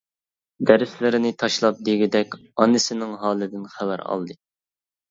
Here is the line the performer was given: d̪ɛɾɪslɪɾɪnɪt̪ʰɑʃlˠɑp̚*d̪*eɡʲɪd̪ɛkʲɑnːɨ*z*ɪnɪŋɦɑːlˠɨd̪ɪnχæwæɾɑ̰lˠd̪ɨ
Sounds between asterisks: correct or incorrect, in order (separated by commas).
correct, incorrect